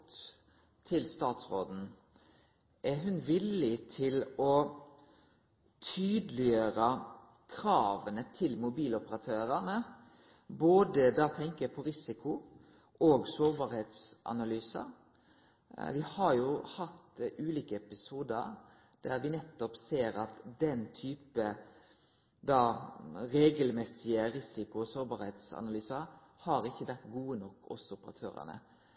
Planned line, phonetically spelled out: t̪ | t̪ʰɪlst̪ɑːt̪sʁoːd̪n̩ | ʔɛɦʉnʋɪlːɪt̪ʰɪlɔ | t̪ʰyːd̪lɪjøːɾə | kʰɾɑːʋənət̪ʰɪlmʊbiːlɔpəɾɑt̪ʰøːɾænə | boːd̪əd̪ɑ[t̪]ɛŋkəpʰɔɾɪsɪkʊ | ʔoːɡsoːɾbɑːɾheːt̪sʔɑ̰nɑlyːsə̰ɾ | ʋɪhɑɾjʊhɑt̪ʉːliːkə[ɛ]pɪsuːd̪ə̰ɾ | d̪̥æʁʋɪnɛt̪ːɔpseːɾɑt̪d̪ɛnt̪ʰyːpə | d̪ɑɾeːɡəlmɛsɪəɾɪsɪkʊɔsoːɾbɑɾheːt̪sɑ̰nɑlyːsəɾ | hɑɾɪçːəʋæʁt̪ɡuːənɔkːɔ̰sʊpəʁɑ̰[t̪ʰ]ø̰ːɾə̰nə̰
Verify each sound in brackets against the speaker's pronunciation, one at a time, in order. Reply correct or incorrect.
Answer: incorrect: t̪ʰ, correct, correct

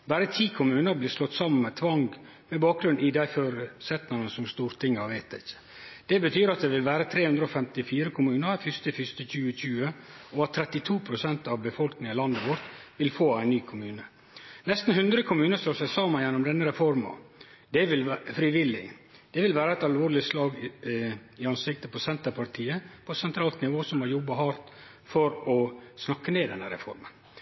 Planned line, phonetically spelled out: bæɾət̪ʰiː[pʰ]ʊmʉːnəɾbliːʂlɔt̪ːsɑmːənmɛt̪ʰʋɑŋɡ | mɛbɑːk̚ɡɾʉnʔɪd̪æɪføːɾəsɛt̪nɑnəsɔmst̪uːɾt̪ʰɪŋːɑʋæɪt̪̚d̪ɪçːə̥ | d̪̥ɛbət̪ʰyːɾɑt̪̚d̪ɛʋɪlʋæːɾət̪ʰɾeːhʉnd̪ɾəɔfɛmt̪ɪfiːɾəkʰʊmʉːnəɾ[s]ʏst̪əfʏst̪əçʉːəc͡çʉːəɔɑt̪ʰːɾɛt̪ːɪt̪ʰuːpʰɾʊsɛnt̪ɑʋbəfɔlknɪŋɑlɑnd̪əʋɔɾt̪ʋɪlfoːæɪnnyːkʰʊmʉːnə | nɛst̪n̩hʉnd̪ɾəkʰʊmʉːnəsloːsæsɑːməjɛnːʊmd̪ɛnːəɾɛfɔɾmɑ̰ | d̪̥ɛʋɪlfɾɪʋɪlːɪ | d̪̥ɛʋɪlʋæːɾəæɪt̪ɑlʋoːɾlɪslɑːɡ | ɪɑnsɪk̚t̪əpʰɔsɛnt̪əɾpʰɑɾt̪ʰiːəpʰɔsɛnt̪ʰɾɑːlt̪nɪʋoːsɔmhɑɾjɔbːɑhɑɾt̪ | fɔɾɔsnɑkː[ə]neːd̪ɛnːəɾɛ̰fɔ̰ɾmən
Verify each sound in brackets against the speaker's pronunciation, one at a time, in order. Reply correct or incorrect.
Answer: incorrect: kʰ, incorrect: f, correct

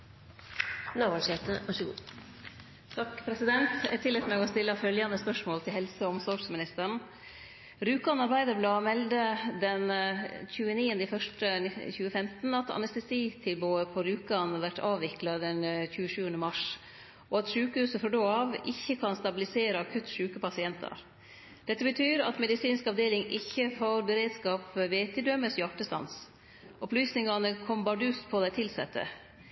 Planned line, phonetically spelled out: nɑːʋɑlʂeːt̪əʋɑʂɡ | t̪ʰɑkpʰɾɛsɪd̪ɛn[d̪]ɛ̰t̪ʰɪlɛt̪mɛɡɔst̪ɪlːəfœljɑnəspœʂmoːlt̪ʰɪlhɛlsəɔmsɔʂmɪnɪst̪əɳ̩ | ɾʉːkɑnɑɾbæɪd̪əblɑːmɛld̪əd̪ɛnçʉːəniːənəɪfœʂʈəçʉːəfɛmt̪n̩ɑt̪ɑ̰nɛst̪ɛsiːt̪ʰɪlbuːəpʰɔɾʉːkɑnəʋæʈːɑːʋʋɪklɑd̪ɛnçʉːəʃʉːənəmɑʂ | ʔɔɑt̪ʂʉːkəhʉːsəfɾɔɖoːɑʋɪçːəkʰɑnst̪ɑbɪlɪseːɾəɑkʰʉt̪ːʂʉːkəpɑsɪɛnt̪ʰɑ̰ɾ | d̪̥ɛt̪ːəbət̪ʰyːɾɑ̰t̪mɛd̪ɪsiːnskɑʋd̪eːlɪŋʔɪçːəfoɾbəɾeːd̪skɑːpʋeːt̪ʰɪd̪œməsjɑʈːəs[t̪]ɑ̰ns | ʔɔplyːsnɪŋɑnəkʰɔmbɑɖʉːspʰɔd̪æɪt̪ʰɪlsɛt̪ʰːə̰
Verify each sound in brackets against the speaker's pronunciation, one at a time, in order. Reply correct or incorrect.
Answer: incorrect: t̪, correct

